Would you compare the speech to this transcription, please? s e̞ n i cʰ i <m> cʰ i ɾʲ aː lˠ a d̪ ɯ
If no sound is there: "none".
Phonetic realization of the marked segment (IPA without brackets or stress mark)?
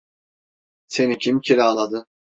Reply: m